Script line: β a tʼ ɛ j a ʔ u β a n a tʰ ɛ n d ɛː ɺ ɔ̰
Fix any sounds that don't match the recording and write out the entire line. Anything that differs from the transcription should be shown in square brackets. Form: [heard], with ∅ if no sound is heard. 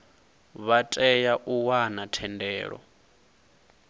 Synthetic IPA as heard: β a tʼ ɛ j a ʔ u [w] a n a tʰ ɛ n d ɛː ɺ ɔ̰